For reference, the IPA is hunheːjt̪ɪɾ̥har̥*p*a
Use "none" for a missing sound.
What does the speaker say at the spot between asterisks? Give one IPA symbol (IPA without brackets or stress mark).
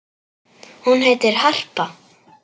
p